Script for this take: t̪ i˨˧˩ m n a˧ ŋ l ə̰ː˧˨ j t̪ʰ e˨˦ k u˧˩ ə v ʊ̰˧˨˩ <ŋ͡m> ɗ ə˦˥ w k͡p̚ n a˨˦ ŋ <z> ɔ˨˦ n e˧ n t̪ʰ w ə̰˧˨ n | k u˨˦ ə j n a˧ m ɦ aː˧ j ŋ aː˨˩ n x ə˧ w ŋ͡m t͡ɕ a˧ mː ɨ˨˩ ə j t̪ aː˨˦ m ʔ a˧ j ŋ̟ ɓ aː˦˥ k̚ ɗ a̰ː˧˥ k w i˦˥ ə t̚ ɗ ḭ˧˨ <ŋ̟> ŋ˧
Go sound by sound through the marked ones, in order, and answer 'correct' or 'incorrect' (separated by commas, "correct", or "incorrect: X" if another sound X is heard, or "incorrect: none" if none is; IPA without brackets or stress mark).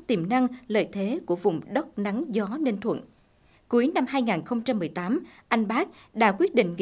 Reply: correct, correct, correct